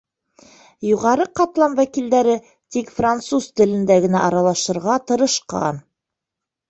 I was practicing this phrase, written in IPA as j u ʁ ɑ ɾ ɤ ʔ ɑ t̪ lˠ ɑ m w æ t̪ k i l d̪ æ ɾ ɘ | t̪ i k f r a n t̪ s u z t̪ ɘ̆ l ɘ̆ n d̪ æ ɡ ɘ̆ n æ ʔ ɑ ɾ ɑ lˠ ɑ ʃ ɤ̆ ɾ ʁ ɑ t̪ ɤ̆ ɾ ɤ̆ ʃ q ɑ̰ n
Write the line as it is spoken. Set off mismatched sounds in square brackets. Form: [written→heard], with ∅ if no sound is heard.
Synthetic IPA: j u ʁ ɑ ɾ ɤ [ʔ→q] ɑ t̪ lˠ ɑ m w æ [t̪→∅] k i l d̪ æ ɾ ɘ | t̪ i k f r a n t̪ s u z t̪ ɘ̆ l ɘ̆ n d̪ æ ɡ ɘ̆ n æ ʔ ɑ ɾ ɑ lˠ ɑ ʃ ɤ̆ ɾ ʁ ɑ t̪ ɤ̆ ɾ ɤ̆ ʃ q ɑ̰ n